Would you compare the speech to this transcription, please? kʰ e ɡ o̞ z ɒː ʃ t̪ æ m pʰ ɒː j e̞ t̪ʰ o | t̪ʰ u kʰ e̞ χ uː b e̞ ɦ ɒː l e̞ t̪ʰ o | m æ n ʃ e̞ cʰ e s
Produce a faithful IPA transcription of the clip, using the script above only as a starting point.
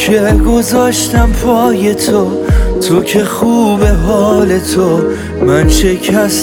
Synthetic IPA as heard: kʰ e ɡ o̞ z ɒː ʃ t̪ æ m pʰ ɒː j e̞ t̪ʰ o | t̪ʰ o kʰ e̞ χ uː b e̞ ɦ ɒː l e̞ t̪ʰ o | m æ n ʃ e̞ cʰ æ s